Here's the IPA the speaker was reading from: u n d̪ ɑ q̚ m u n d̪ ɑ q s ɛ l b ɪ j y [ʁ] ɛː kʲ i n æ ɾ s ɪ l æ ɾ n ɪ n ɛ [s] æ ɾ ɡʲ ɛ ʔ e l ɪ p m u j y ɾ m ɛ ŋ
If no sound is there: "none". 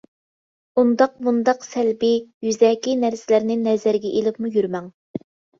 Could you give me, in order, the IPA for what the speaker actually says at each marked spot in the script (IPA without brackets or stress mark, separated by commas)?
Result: z, z